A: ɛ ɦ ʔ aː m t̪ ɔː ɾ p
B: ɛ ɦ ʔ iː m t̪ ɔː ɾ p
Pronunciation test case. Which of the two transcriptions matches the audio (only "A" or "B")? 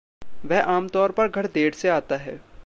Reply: A